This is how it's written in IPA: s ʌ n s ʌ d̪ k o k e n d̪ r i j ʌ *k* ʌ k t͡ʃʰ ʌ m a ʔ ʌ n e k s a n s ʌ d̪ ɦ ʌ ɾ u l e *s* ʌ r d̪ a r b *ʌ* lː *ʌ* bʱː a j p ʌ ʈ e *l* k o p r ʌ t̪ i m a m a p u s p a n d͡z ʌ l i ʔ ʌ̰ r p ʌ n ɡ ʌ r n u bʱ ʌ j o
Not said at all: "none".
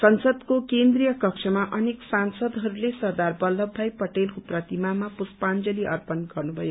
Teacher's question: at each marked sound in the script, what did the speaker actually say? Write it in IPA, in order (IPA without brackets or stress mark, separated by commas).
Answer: k, s, ʌ, ʌ, l